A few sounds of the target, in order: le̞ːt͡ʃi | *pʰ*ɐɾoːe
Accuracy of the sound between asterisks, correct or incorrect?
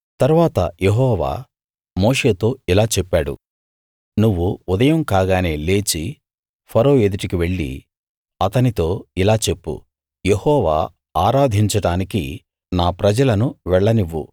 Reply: correct